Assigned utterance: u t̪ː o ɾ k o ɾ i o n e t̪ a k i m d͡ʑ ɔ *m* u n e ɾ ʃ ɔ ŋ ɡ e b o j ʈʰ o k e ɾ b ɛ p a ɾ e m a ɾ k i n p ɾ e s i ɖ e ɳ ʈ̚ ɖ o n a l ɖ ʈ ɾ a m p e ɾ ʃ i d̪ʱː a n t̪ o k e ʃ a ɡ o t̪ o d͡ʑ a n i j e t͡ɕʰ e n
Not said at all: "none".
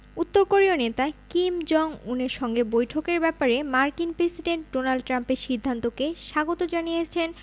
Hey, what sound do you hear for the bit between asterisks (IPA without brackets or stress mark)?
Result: ŋ